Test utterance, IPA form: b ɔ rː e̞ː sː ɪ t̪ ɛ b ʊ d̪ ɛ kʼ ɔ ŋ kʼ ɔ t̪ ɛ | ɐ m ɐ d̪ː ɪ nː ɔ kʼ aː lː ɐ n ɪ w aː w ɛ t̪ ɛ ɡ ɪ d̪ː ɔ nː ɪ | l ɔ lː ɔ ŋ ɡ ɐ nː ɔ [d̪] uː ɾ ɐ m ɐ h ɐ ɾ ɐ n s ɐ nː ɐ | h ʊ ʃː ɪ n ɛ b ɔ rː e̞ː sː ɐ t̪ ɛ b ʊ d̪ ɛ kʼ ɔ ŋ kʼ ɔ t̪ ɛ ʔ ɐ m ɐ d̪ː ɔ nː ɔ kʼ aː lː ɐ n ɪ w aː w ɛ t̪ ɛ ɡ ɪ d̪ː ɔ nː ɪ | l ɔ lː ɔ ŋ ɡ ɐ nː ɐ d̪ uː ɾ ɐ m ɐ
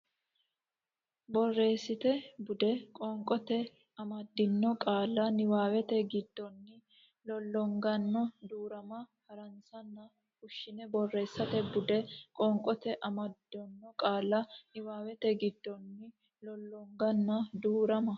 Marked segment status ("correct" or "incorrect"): correct